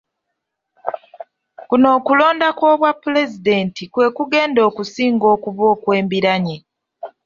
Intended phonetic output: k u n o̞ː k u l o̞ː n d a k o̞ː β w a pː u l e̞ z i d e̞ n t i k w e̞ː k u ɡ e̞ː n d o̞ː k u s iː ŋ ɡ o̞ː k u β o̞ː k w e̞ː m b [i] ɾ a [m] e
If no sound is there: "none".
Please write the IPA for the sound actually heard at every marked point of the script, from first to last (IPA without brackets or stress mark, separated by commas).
i, ɲ